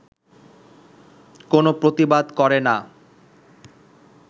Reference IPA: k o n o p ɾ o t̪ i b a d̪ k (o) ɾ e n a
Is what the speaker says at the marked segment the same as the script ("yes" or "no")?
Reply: no